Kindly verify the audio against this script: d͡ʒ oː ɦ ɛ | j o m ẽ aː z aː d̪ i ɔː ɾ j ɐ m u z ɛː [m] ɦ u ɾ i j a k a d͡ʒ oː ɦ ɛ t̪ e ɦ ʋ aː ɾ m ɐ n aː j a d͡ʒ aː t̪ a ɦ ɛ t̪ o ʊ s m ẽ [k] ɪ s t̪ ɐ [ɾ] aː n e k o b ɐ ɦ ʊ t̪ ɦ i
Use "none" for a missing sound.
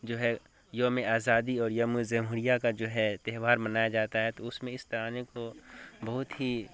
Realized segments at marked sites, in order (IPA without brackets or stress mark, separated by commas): m, none, ɾ